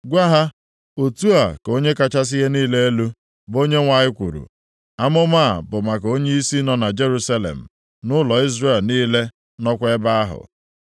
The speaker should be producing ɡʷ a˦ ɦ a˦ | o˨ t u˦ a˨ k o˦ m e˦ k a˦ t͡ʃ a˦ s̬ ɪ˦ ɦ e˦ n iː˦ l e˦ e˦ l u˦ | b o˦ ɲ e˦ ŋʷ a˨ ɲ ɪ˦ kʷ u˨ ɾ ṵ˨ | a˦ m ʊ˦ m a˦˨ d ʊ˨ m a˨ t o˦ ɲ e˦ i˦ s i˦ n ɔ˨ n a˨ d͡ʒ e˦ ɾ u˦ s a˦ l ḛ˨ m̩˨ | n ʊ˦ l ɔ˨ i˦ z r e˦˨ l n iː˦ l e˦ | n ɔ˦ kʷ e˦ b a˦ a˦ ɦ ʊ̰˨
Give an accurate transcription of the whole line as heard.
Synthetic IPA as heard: ɡʷ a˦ ɦ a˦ | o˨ t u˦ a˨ k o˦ ɲ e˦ k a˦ t͡ʃ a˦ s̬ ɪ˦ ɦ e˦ n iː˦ l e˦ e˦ l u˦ | b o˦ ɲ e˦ ŋʷ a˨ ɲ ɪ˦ kʷ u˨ ɾ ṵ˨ | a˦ m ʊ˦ m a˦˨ b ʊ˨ m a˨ k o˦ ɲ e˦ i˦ s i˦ n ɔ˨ n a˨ d͡ʒ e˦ ɾ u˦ s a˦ l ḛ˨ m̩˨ | n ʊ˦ l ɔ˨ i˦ z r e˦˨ l n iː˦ l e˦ | n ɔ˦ kʷ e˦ b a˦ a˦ ɦ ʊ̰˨